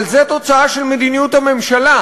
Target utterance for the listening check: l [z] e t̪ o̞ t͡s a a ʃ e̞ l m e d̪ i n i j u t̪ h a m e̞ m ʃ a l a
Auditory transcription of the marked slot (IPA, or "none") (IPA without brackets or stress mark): z